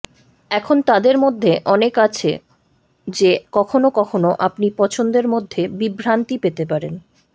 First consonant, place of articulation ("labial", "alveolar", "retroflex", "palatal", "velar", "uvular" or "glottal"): velar